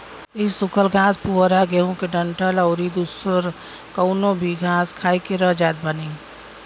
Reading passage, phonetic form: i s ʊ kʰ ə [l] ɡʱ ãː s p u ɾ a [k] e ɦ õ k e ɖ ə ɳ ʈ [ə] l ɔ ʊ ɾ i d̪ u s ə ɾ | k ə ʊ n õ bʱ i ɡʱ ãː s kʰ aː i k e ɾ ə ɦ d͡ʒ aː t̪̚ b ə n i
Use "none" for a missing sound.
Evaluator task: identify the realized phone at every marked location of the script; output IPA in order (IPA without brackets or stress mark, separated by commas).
l, ɡ, ə